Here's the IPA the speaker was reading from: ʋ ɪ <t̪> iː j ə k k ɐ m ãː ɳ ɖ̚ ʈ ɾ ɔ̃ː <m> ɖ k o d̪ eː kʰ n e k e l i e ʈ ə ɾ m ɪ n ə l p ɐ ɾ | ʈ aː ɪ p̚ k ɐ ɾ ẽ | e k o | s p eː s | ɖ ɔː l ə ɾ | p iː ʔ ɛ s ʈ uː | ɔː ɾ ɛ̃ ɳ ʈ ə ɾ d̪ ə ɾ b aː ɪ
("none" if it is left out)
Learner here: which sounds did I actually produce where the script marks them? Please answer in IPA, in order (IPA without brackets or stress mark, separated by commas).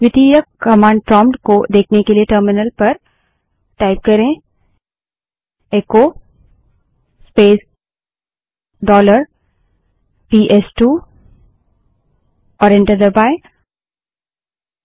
t̪, m